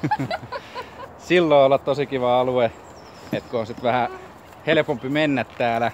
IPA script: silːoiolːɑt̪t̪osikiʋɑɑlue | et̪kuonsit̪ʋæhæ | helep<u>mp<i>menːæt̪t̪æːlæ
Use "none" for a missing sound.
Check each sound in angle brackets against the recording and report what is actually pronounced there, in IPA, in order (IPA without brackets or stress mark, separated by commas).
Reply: o, i